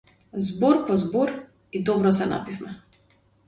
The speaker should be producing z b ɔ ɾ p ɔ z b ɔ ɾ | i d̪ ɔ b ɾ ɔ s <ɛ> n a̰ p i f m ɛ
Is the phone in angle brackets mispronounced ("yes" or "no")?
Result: no